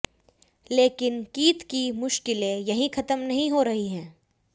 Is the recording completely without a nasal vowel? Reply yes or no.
no